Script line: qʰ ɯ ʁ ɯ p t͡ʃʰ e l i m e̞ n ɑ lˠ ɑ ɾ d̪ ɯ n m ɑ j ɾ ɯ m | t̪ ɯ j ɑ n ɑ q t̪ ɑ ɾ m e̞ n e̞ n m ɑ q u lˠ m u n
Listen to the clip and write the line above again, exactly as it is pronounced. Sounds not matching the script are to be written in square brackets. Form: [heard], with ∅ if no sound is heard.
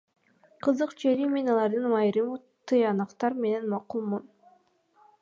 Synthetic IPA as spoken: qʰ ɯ [z] ɯ [q] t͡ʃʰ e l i m e̞ n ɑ lˠ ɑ ɾ d̪ ɯ n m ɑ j ɾ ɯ m | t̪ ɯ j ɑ n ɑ q t̪ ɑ ɾ m e̞ n e̞ n m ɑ q u lˠ m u n